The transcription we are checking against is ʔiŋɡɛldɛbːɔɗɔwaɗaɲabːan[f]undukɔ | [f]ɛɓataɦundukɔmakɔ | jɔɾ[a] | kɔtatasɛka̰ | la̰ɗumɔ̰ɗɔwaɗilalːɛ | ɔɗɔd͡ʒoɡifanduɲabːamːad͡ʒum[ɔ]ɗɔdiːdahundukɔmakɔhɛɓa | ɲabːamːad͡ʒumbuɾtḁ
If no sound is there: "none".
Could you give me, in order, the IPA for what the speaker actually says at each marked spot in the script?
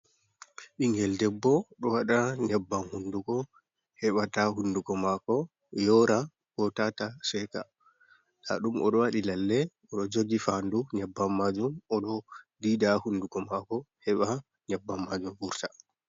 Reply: h, h, a, ɔ

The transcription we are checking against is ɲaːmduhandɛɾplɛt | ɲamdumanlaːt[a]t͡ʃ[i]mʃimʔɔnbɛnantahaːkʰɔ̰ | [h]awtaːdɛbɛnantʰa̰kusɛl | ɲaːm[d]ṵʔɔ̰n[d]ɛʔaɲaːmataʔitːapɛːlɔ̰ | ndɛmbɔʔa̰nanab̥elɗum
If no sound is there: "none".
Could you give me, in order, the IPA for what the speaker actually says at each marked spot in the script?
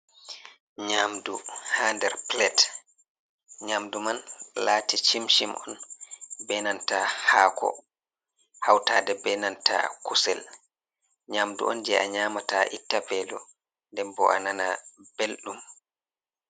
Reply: i, i, h, d, d͡ʒ

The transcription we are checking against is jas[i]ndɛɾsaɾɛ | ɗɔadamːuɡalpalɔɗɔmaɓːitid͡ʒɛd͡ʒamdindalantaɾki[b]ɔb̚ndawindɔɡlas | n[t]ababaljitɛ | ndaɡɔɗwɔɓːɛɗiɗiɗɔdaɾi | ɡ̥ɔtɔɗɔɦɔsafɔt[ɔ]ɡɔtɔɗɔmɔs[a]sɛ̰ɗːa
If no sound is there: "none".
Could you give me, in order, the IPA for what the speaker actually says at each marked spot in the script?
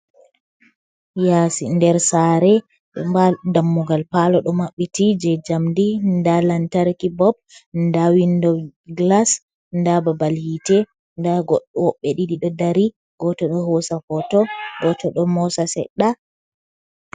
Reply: i, b, d, ɔ, a

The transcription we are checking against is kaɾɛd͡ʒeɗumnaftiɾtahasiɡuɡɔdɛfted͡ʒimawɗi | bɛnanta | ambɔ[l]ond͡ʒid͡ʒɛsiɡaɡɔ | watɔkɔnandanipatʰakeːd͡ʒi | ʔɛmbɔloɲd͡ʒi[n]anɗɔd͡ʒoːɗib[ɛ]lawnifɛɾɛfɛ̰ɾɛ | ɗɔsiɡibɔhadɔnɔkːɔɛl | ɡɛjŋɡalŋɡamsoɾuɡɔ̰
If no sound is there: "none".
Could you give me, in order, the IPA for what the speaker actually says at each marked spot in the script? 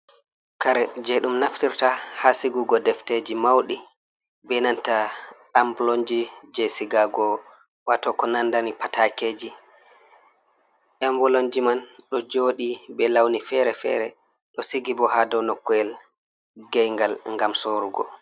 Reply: l, m, ɛ

